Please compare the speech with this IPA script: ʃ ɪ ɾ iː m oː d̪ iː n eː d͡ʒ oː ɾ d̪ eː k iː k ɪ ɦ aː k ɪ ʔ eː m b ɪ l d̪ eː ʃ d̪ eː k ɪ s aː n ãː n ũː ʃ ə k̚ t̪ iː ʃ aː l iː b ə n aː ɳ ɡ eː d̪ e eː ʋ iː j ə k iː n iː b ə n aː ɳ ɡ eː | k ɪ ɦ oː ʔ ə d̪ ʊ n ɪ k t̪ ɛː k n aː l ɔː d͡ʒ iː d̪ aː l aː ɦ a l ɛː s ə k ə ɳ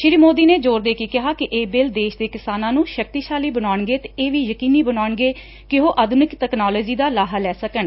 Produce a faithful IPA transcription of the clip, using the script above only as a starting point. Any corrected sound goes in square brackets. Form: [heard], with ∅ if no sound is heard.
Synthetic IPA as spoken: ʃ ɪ ɾ iː m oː d̪ iː n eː d͡ʒ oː ɾ d̪ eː k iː k ɪ ɦ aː k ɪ ʔ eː [∅] b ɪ l d̪ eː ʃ d̪ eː k ɪ s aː n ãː n ũː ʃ ə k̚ t̪ iː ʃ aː l iː b ə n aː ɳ ɡ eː [t̪] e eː ʋ iː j ə k iː n iː b ə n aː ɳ ɡ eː | k ɪ ɦ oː ʔ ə d̪ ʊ n ɪ k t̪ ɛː k n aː l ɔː d͡ʒ iː d̪ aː l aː ɦ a l ɛː s ə k ə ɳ